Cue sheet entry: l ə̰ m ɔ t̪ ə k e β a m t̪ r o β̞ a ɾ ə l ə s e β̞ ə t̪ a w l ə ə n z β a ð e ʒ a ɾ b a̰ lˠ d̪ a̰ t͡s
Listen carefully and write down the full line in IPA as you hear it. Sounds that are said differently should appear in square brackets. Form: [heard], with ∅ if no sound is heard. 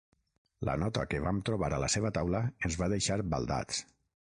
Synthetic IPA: l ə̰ [n] ɔ t̪ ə k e β a m t̪ [ɾ] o β̞ a ɾ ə l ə s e β̞ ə t̪ a w l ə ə n z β a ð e [ʃ] a ɾ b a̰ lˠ d̪ a̰ t͡s